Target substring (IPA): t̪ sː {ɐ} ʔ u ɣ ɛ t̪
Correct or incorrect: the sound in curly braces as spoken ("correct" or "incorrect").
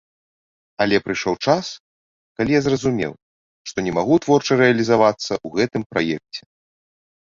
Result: correct